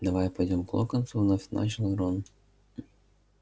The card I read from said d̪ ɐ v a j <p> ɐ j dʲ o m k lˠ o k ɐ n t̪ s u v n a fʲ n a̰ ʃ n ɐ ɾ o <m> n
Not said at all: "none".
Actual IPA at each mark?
p, none

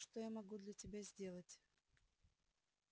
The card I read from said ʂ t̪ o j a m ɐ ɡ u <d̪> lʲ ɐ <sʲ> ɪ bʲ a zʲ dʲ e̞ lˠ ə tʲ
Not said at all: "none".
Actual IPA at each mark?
d̪, tʲ

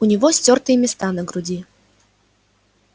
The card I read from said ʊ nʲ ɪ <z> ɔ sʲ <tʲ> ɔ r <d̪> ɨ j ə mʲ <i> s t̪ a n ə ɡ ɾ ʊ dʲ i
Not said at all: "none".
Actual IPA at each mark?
v, tʲ, t̪, ɪ

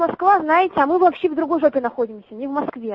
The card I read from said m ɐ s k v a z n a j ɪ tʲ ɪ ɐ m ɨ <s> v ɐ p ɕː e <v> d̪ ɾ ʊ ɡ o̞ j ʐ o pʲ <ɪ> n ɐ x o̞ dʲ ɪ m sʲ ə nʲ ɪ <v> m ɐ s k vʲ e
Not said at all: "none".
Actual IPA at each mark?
none, v, ɪ, v

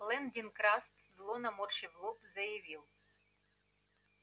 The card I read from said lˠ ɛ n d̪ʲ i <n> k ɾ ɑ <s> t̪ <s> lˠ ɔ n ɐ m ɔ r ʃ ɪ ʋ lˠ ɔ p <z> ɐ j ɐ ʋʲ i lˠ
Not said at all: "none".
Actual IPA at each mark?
n, s, z, z

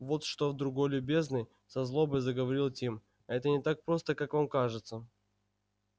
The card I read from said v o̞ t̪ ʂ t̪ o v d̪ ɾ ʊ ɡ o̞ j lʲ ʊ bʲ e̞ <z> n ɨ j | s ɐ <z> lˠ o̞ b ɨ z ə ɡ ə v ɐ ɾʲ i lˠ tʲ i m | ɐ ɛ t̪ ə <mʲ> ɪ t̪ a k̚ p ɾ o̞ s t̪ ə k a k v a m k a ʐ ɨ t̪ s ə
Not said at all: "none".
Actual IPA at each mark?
z, z, nʲ

